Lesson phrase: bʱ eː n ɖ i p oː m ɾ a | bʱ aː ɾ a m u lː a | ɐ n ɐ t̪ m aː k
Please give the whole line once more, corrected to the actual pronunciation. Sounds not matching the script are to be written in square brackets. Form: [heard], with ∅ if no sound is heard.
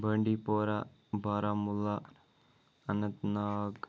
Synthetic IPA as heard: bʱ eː [ɳ] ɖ i p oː [∅] ɾ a | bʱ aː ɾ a m u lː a | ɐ n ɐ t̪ [n] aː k

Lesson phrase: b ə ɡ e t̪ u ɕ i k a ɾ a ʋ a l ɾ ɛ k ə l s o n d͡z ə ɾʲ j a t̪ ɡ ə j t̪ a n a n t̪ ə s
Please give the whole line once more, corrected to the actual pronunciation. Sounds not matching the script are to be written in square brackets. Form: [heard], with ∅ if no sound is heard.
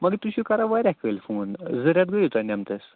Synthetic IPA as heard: [m] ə ɡ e t̪ u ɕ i k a ɾ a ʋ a [∅] ɾ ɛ k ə l [f] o n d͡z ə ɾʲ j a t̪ ɡ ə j t̪ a n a [m] t̪ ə s

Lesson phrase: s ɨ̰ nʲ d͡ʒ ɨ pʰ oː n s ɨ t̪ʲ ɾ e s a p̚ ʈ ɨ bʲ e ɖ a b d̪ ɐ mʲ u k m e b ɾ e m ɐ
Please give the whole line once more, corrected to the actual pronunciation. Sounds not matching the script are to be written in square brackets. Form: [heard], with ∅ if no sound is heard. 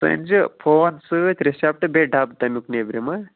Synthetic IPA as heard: s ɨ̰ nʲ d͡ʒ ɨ pʰ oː n s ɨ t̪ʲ ɾ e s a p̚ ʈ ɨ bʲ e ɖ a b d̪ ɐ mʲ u k [n] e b ɾ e m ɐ

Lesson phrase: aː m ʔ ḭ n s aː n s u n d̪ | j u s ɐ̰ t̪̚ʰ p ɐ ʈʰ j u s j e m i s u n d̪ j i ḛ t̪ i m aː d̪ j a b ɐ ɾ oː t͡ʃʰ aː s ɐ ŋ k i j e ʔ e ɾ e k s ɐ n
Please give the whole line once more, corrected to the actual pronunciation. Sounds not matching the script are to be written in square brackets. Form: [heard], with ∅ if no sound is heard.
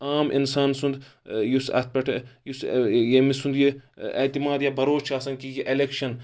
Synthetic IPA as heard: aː m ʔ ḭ n s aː n s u n d̪ | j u s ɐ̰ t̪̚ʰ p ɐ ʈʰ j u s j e m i s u n d̪ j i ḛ t̪ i m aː d̪ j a b ɐ ɾ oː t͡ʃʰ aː s ɐ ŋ k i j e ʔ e [l] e k [ʃ] ɐ n

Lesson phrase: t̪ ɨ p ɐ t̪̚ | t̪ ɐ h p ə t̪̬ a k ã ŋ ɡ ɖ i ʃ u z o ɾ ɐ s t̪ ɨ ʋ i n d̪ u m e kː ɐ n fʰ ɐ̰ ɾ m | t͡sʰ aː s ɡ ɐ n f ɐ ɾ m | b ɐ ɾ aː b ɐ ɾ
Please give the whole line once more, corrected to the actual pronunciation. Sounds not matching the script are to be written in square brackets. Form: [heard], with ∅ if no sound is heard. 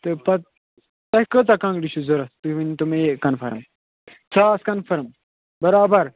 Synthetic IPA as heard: t̪ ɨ p ɐ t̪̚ | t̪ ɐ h [k] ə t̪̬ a k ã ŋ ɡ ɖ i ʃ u z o ɾ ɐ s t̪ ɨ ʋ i n [t̪] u m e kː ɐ n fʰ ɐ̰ ɾ m | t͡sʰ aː s [k] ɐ n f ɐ ɾ m | b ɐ ɾ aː b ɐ ɾ

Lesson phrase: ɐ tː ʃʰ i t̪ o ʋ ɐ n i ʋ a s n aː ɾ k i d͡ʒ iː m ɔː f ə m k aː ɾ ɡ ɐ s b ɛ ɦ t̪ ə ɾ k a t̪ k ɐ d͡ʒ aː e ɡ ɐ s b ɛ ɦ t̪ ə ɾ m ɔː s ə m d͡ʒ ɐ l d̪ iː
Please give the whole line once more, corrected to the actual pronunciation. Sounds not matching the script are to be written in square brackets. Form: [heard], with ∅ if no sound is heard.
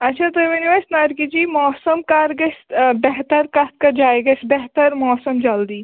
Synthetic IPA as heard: ɐ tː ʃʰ [a] t̪ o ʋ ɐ n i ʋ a s n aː ɾ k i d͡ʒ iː m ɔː [s] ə m k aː ɾ ɡ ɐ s b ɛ ɦ t̪ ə ɾ k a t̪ k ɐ d͡ʒ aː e ɡ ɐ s b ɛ ɦ t̪ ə ɾ m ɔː s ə m d͡ʒ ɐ l d̪ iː

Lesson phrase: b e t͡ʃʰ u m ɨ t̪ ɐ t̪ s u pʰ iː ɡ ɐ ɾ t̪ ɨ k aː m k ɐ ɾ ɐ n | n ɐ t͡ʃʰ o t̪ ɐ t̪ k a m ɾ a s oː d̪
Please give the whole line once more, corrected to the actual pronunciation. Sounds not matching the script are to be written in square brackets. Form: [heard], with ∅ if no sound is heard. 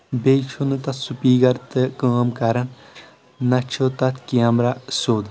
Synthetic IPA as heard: b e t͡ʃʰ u [n] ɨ t̪ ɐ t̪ s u [p] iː ɡ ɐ ɾ t̪ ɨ k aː m k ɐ ɾ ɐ n | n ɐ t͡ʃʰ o t̪ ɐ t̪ k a m ɾ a s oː d̪

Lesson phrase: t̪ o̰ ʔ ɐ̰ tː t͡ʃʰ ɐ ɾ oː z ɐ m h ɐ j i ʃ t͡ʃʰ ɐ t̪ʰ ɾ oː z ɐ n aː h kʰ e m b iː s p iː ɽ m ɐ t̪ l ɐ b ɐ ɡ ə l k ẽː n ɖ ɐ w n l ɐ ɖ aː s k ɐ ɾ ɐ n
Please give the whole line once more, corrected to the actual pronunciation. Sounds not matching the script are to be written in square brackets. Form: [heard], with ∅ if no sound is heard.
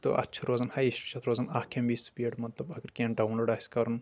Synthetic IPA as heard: t̪ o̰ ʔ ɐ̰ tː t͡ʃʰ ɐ ɾ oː z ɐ [n] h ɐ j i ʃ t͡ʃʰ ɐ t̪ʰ ɾ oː z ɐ n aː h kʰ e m b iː s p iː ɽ m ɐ t̪ l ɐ b ɐ ɡ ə [ɾ] k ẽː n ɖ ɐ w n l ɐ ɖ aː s k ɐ ɾ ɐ n

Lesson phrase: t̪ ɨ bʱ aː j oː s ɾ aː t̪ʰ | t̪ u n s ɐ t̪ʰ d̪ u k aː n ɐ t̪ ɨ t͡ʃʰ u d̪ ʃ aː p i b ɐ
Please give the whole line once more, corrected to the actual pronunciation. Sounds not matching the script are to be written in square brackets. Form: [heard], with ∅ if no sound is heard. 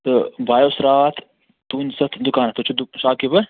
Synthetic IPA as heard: t̪ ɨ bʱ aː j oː s ɾ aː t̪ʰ | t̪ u n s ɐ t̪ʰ d̪ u k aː n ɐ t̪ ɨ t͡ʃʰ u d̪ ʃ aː [k] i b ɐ

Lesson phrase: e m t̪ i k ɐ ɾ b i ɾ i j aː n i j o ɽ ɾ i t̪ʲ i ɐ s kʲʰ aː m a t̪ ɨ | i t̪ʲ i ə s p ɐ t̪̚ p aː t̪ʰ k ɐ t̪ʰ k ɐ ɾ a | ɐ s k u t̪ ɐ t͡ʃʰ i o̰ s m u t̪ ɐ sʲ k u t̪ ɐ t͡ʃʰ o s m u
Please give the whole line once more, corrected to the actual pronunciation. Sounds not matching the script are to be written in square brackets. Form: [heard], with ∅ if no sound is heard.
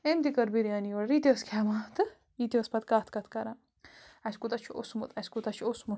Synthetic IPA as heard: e m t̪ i k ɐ ɾ b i ɾ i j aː n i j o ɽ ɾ i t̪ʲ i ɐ s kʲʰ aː m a t̪ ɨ | i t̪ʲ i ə s p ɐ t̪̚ [k] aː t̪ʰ k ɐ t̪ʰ k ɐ ɾ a | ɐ s k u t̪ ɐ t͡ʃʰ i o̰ s m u t̪ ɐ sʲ k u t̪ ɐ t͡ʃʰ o s m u

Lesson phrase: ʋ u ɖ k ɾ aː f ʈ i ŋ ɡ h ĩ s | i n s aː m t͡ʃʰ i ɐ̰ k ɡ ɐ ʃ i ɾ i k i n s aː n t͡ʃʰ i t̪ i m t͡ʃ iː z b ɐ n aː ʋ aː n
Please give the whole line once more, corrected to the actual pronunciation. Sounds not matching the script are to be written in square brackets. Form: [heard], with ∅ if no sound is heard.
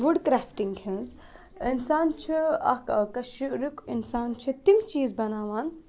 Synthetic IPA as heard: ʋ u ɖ k ɾ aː f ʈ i ŋ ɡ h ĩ [z] | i n s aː [n] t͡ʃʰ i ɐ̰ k [k] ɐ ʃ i ɾ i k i n s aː n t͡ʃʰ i t̪ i m t͡ʃ iː z b ɐ n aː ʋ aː n

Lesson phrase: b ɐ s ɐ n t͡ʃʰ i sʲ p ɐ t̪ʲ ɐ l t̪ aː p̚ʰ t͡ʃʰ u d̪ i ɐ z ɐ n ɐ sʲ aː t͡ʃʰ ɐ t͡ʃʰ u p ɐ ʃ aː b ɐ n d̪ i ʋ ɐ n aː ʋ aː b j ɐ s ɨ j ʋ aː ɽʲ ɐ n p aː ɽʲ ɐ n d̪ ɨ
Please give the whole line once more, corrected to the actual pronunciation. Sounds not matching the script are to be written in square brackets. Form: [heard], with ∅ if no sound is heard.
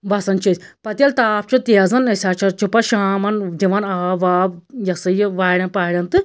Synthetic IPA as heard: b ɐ s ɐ n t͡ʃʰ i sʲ p ɐ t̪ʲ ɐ l t̪ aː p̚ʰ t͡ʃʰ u [t̪] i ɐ z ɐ n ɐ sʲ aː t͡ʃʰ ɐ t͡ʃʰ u p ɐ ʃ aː [m] ɐ n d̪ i ʋ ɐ n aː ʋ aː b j ɐ s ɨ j ʋ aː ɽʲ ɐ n p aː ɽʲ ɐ n [t̪] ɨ

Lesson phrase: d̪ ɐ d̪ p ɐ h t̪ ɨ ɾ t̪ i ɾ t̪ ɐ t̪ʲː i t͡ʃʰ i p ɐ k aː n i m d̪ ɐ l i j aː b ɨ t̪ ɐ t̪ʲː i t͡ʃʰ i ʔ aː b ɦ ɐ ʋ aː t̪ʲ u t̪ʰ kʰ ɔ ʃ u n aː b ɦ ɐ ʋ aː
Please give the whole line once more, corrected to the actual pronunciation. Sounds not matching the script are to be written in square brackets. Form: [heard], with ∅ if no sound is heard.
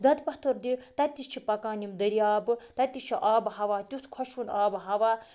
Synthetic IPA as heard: d̪ ɐ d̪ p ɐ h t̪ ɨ ɾ [d̪] i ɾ t̪ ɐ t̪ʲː i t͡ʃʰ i p ɐ k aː n i m d̪ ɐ [ɾ] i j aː b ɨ t̪ ɐ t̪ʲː i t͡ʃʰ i ʔ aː b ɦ ɐ ʋ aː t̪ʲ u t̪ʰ kʰ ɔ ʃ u n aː b ɦ ɐ ʋ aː

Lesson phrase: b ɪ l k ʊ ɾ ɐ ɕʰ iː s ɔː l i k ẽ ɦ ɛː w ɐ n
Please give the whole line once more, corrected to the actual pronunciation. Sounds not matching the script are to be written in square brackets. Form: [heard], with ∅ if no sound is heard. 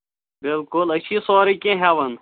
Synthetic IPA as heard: b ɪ l k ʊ [l] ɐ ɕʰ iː s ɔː [ɾ] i k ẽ ɦ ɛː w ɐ n

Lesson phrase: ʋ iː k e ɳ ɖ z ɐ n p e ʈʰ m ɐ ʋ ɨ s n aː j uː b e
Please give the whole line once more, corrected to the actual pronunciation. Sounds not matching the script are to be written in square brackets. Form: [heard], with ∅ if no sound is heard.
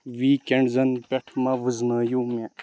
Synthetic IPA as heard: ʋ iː k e ɳ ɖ z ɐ n p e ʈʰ m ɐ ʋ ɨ [z] n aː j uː [m] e

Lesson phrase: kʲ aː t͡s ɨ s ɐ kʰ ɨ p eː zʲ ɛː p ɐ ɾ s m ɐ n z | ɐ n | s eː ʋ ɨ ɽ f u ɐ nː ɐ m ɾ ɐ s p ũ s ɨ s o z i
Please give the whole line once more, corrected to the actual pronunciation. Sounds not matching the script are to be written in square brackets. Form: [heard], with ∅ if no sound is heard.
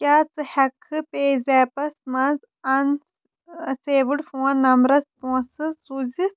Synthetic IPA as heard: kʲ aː t͡s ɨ [h] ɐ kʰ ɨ p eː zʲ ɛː p ɐ [∅] s m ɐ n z | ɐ n | s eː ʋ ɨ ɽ f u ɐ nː ɐ m ɾ ɐ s p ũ s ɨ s [u] z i

